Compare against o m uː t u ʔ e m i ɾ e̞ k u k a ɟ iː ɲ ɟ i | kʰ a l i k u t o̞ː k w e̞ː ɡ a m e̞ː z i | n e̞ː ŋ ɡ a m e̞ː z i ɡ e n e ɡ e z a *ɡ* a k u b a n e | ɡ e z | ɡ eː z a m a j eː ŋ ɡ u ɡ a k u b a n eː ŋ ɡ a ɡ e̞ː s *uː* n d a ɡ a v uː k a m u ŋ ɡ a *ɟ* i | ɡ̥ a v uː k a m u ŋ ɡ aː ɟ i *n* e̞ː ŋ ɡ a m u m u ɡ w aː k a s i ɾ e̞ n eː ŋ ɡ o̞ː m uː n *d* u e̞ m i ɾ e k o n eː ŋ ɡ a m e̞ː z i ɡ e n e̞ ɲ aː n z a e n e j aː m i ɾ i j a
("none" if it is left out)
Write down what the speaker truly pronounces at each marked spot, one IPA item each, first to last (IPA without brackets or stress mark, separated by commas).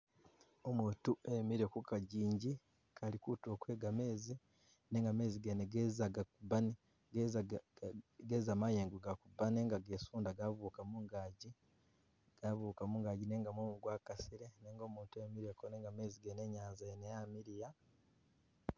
ɡ, uː, ɟ, n, t